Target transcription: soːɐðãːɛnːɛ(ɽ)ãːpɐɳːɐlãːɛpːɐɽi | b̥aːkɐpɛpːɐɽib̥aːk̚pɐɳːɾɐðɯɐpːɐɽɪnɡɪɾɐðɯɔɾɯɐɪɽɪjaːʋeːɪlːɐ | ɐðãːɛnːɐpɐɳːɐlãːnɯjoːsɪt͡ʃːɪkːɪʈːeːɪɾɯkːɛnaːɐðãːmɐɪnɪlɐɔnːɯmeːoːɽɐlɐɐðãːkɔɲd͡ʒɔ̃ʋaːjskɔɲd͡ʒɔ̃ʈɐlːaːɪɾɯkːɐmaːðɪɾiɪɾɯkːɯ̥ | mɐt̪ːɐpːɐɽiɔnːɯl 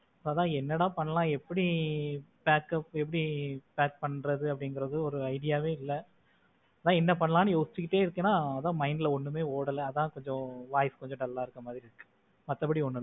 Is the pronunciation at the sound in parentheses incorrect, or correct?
correct